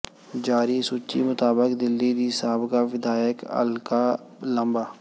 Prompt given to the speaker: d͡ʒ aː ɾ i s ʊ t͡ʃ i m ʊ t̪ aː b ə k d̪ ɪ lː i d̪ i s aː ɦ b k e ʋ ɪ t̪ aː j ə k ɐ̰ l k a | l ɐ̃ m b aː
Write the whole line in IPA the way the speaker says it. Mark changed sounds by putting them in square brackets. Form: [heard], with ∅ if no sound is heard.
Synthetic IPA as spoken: d͡ʒ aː ɾ i s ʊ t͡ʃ i m ʊ t̪ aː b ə k d̪ ɪ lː i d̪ i s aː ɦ b k [a] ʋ ɪ [d̪] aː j ə k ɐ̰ l k a | l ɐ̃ m b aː